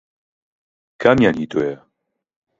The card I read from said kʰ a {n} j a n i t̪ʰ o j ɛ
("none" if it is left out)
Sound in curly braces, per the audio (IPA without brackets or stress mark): m